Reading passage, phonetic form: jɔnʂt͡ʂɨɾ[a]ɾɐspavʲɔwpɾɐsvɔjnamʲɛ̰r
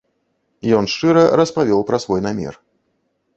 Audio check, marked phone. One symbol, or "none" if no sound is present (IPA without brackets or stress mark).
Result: ɐ